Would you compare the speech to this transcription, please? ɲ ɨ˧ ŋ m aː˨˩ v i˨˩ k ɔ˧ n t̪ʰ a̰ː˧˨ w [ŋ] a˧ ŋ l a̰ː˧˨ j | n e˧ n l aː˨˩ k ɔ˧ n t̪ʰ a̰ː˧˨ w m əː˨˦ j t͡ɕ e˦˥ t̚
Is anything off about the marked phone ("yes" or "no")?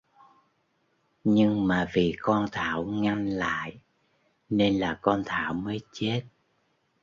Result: no